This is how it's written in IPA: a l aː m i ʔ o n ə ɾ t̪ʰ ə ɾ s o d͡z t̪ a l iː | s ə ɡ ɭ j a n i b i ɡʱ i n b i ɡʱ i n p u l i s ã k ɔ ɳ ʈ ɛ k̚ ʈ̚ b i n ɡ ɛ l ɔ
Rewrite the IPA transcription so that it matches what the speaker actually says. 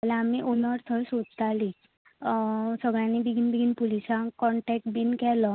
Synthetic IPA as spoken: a l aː m i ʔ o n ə ɾ t̪ʰ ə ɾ s o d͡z t̪ a l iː | s ə ɡ ɭ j a n i b i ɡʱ i n b i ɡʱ i n p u l i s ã k ɔ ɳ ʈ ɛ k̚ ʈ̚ b i n k ɛ l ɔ